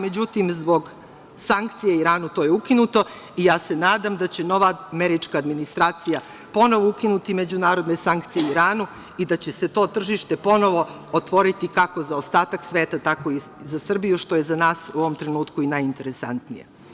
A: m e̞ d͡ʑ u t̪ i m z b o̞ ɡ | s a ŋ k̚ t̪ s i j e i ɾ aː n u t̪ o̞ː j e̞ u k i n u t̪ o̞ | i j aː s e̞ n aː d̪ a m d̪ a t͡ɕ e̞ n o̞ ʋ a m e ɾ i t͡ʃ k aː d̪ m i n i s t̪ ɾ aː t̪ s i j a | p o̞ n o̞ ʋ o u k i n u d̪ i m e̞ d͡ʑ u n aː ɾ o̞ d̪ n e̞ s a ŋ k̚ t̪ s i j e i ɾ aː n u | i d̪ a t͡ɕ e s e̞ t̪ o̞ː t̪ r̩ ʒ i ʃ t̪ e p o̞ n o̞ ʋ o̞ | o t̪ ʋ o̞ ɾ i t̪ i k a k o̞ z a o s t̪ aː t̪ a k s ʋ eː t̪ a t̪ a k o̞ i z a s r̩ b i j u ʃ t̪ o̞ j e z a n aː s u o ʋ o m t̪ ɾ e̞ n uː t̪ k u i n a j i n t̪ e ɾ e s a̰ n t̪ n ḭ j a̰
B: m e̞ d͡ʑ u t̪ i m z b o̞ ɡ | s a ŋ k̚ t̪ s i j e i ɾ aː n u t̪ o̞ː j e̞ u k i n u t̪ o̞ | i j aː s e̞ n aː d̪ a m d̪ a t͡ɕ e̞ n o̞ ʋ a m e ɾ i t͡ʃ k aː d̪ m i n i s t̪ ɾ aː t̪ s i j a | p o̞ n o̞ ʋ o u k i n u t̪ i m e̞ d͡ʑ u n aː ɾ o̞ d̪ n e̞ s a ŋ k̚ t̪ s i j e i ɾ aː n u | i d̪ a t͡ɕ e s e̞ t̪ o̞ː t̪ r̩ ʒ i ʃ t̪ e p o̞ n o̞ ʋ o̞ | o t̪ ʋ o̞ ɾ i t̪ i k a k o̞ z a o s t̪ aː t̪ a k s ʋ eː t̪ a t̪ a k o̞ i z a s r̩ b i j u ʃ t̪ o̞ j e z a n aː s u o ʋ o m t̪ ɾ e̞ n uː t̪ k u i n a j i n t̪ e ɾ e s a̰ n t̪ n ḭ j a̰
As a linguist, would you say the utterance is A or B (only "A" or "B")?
B